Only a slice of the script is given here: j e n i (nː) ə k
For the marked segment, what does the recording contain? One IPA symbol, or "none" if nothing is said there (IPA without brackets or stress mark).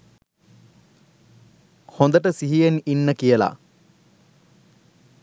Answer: nː